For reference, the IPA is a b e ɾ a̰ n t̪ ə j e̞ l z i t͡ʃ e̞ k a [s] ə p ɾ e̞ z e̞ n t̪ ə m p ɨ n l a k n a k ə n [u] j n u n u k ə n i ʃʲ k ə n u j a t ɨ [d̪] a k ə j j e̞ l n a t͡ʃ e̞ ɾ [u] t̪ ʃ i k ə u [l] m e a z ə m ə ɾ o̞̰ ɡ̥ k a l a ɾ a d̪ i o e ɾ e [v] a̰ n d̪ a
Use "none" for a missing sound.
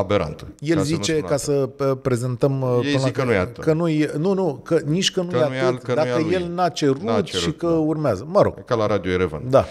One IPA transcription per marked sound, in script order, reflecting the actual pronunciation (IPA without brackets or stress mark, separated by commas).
s, u, d̪, u, r, v